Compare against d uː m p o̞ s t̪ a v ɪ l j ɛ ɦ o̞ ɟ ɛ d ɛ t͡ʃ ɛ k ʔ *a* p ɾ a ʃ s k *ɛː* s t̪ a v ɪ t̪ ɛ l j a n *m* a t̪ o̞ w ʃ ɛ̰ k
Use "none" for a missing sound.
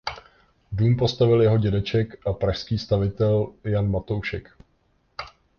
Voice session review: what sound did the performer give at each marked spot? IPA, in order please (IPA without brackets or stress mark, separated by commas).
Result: a, iː, m